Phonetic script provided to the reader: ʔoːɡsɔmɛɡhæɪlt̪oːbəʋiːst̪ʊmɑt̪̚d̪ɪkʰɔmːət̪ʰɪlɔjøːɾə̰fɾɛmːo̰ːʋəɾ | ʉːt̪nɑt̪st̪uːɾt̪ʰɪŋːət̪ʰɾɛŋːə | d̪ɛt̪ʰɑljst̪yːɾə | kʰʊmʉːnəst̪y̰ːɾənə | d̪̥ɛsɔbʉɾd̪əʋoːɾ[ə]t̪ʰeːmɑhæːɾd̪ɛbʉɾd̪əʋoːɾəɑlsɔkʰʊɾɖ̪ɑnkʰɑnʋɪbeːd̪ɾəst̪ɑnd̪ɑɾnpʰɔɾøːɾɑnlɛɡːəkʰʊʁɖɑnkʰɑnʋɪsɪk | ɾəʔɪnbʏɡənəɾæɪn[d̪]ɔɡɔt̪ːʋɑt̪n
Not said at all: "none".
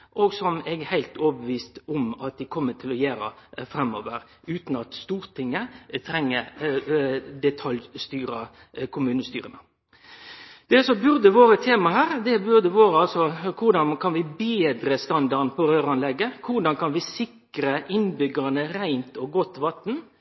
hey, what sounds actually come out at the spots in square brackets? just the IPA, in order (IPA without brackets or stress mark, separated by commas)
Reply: ə, t̪